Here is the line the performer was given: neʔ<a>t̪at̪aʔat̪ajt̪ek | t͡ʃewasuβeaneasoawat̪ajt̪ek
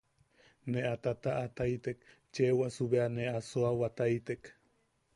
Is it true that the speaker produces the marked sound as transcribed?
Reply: yes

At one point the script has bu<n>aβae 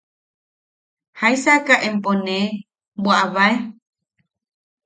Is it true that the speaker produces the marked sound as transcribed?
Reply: no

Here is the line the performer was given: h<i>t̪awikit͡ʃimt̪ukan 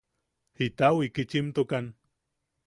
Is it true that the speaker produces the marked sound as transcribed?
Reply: yes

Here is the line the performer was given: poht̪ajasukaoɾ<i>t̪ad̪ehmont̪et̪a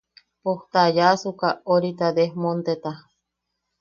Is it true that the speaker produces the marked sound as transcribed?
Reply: yes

